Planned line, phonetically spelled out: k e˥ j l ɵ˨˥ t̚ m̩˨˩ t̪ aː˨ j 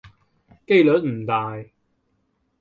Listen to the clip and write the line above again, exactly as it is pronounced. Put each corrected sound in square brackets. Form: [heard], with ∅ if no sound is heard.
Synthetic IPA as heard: k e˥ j l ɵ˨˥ t̚ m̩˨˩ t̪ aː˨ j